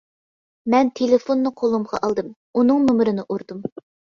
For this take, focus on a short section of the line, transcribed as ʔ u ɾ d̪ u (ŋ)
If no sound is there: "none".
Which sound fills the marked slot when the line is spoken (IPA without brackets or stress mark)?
m